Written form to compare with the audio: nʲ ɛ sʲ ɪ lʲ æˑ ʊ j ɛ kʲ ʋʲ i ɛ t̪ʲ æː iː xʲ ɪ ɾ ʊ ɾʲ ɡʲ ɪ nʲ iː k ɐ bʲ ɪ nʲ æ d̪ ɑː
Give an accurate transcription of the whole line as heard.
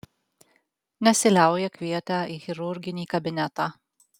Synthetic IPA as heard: nʲ ɛ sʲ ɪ lʲ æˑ ʊ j ɛ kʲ ʋʲ i ɛ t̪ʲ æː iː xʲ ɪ ɾ ʊ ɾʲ ɡʲ ɪ nʲ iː k ɐ bʲ ɪ nʲ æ t̪ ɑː